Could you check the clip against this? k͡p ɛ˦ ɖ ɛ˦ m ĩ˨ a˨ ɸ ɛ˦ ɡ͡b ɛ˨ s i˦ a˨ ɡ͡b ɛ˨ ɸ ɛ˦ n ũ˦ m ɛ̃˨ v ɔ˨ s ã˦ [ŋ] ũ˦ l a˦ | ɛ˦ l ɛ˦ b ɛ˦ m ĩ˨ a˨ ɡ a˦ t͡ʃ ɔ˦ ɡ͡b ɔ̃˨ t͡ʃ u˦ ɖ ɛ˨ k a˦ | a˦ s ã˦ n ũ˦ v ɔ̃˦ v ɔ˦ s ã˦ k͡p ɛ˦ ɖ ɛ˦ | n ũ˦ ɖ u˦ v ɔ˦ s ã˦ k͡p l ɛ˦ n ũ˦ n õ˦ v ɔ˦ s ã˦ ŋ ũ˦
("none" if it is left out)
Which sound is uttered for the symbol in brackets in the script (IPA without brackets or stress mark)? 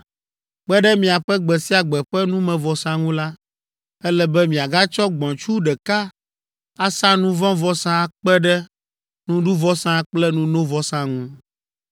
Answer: ŋ